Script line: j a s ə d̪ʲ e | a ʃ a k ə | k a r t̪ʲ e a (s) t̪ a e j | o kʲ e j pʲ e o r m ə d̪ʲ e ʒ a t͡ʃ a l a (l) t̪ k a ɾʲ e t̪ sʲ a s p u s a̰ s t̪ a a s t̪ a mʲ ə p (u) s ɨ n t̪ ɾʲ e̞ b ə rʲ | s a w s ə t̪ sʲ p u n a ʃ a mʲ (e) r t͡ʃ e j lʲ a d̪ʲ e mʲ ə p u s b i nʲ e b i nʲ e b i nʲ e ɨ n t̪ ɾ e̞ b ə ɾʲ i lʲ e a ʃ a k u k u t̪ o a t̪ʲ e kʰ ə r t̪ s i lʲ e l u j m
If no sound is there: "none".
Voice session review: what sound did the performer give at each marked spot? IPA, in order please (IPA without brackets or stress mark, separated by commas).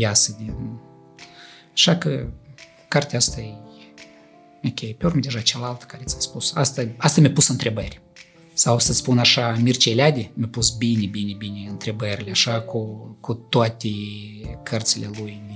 s, l, u, i